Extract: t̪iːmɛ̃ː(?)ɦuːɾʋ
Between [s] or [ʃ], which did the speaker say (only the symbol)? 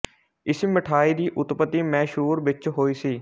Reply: ʃ